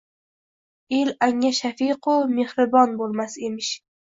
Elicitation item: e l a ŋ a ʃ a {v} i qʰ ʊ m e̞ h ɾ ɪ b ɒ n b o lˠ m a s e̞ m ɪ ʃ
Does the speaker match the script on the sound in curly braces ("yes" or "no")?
no